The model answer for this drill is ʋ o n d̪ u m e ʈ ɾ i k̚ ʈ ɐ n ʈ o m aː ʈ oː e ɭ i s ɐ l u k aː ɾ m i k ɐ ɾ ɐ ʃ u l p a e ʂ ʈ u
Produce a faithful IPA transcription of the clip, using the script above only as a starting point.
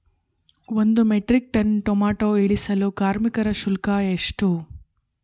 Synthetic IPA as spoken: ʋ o n d̪ u m e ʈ ɾ i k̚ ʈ ɐ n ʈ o m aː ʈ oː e ɭ i s ɐ l u k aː ɾ m i k ɐ ɾ ɐ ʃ u l k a e ʂ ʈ u